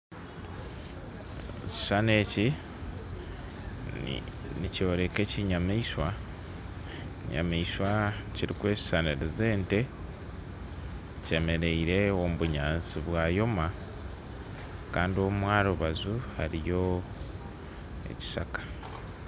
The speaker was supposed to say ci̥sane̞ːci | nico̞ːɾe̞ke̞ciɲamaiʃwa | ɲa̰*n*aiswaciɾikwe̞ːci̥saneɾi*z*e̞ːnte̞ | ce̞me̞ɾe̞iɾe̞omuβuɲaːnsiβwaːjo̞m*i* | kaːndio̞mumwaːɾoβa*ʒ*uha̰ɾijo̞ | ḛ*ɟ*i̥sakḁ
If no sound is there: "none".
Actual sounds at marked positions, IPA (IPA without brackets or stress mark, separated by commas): m, z, a, z, c